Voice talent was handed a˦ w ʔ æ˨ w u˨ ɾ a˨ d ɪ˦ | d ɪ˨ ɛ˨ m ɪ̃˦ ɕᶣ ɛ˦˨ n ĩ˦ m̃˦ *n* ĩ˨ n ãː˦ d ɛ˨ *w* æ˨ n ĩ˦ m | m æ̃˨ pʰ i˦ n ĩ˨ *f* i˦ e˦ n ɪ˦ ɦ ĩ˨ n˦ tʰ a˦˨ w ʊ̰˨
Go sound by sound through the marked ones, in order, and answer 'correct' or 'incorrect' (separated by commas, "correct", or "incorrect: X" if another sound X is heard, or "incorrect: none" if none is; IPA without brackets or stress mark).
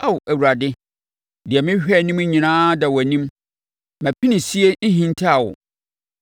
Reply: incorrect: ɲ, correct, incorrect: s